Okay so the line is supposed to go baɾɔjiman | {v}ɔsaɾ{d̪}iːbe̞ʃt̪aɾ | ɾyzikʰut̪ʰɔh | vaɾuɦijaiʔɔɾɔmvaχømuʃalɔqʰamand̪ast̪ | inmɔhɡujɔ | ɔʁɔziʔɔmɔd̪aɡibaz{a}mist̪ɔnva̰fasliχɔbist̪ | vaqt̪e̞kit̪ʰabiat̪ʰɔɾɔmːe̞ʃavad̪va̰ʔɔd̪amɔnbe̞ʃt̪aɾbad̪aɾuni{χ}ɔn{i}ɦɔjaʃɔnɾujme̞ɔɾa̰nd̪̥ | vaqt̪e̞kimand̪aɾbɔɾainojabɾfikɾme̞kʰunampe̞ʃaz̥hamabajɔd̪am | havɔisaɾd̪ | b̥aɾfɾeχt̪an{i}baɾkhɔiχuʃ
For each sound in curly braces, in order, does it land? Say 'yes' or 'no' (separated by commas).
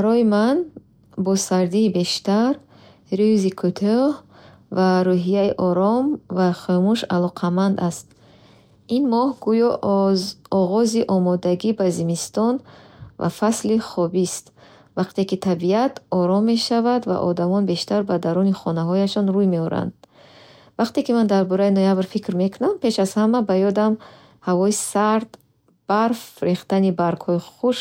no, yes, no, yes, no, yes